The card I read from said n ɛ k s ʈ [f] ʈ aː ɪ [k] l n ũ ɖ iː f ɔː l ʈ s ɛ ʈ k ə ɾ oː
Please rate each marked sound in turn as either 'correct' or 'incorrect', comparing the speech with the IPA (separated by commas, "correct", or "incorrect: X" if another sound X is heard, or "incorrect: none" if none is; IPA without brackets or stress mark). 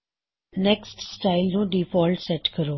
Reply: incorrect: s, incorrect: none